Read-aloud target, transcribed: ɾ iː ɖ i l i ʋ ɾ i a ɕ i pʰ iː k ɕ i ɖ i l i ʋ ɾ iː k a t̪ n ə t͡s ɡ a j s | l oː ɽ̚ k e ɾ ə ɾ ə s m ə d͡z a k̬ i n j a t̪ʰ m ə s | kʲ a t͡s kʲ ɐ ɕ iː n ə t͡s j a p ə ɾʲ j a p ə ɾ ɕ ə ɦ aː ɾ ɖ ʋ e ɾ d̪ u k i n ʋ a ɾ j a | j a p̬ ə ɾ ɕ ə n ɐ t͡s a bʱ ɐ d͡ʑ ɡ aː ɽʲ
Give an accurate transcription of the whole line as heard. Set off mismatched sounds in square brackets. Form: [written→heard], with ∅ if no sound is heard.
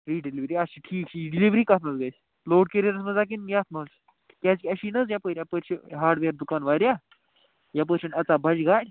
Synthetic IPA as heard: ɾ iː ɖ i l i ʋ ɾ i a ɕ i [pʰ→ʈʰ] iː k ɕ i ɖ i l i ʋ ɾ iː k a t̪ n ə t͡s ɡ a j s | l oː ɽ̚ k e ɾ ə ɾ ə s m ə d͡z a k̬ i n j a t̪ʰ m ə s | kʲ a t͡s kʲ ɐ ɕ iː n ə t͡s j a p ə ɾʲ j a p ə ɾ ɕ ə ɦ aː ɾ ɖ ʋ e ɾ d̪ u k [i→a] n ʋ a ɾ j a | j a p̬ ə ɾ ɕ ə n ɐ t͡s a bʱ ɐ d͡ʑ ɡ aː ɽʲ